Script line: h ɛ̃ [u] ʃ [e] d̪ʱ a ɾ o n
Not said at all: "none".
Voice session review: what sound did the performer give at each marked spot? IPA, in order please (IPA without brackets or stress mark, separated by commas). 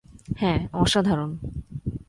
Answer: ɔ, a